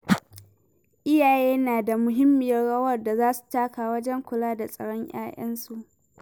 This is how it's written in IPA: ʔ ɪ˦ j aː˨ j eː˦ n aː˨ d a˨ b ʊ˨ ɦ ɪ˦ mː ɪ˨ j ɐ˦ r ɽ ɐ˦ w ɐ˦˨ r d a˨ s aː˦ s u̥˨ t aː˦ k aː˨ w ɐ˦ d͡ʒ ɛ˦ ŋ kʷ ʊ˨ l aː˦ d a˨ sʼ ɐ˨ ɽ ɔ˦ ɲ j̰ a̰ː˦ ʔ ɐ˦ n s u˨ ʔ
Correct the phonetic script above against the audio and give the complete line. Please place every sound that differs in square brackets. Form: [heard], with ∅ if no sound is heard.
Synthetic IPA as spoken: ʔ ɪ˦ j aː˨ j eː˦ n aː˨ d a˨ [m] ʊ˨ ɦ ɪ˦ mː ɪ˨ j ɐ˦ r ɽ ɐ˦ w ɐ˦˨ r d a˨ [z] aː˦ s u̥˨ t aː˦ k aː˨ w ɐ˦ d͡ʒ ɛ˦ ŋ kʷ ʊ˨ l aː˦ d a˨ sʼ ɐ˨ ɽ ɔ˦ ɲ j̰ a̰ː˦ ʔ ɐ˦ n s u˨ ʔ